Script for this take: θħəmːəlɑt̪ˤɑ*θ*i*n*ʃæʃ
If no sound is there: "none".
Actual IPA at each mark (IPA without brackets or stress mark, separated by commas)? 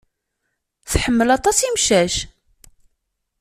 s, m